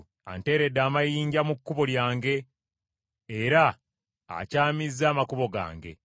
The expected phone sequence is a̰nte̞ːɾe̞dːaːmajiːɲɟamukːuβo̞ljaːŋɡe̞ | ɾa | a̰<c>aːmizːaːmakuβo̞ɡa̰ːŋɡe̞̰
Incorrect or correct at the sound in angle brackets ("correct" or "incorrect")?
correct